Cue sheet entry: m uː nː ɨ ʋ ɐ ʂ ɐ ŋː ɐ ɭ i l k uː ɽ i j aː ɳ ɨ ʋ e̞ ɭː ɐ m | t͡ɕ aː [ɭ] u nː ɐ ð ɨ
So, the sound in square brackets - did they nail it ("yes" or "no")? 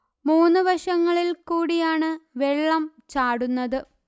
no